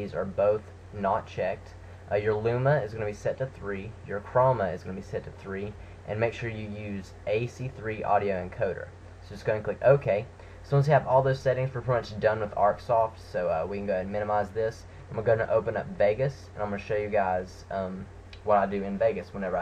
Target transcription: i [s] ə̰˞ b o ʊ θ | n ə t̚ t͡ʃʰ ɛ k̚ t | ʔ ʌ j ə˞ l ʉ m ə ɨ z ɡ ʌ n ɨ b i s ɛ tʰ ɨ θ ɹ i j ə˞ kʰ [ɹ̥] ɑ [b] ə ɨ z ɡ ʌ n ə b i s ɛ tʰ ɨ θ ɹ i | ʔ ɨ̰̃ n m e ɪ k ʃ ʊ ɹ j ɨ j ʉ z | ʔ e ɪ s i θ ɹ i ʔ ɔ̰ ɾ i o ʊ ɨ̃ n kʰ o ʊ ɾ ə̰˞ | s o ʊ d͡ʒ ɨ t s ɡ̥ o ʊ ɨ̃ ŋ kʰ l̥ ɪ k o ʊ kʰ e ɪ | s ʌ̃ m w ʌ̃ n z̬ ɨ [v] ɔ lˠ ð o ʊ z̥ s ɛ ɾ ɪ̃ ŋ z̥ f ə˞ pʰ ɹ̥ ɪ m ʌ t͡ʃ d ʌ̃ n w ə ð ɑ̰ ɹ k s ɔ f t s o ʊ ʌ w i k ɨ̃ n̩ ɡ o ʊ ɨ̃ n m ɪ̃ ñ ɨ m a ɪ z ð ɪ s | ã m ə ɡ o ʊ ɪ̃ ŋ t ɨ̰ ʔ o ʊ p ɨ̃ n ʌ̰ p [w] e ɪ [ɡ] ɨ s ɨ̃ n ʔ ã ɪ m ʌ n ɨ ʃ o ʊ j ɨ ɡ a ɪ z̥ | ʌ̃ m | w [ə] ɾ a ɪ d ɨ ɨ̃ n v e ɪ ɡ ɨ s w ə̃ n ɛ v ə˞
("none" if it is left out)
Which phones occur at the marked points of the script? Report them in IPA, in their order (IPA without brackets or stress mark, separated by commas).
z, ɹ̥, m, v, v, ɡ, ʌ